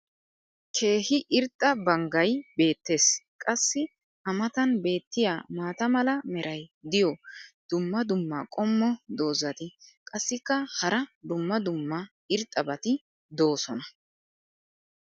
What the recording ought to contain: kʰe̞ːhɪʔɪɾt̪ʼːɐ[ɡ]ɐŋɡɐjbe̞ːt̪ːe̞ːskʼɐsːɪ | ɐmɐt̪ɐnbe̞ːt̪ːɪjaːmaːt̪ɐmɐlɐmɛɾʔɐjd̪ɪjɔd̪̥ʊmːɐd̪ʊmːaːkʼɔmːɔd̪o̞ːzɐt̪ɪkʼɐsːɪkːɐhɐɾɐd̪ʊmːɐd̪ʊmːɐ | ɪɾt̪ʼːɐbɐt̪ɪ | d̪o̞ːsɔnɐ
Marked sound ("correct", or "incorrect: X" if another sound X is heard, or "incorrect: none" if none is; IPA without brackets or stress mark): incorrect: b